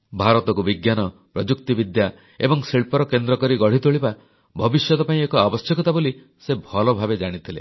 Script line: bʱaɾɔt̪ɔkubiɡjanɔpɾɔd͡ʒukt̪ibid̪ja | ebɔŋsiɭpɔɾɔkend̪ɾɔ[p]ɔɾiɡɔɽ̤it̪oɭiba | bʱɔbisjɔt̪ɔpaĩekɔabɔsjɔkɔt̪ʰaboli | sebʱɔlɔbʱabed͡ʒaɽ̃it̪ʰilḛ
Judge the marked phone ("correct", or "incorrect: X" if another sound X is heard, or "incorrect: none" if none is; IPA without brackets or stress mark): incorrect: k